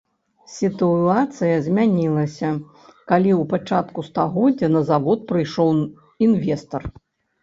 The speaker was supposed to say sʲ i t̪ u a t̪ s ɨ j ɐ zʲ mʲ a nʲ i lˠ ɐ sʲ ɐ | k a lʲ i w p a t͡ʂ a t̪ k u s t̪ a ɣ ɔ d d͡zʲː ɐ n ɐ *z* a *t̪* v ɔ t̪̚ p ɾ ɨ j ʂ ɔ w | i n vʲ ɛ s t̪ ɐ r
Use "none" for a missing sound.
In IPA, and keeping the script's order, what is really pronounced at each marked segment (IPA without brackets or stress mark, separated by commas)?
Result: z, none